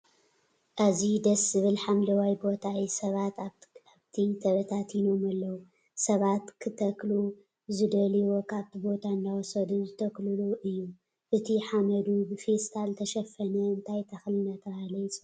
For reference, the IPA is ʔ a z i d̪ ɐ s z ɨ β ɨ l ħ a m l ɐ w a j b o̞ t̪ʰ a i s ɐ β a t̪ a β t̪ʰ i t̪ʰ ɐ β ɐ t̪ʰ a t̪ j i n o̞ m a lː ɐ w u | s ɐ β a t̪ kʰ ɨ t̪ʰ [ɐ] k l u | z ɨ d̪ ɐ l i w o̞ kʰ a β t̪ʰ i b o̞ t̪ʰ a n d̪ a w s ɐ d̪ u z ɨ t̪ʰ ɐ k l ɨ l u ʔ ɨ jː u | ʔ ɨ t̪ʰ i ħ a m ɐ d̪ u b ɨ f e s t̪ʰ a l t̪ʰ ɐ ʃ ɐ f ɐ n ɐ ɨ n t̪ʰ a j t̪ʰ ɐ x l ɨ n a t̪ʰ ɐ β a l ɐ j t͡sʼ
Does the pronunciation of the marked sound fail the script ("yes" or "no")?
no